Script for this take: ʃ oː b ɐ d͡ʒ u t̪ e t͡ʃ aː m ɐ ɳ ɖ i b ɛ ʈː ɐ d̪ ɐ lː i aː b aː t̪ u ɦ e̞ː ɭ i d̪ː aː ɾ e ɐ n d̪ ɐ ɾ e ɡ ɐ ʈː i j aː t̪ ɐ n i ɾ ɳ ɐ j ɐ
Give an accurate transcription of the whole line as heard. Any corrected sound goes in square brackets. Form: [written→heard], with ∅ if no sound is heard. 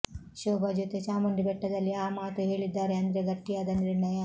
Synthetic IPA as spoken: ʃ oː b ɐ d͡ʒ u t̪ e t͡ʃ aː m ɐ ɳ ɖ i b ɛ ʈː ɐ d̪ ɐ lː i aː [b→m] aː t̪ u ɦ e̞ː ɭ i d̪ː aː ɾ e ɐ n d̪ ɐ ɾ e ɡ ɐ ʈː i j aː [t̪→d̪] ɐ n i ɾ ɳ ɐ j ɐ